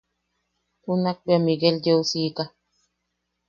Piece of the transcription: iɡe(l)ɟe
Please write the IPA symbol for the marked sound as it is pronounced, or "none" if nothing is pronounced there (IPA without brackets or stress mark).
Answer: l